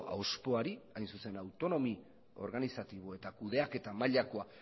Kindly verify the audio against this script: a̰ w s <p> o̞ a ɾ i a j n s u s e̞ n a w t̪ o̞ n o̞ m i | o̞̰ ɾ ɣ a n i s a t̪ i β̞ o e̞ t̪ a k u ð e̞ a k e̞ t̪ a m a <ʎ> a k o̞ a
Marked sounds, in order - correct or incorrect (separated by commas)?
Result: correct, correct